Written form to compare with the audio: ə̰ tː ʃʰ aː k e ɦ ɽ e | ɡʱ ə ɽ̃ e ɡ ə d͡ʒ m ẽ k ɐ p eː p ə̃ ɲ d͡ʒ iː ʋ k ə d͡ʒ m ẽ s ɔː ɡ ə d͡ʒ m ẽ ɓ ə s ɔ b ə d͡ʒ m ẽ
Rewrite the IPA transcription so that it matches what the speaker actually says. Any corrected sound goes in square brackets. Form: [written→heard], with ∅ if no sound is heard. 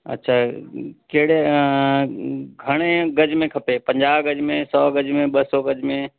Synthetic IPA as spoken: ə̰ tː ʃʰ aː k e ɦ ɽ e | ɡʱ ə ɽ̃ e ɡ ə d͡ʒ m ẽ [k→kʰ] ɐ p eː p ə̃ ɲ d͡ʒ [iː→aː] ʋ [k→ɡ] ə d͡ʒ m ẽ s ɔː ɡ ə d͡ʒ m ẽ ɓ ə s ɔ [b→ɡ] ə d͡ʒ m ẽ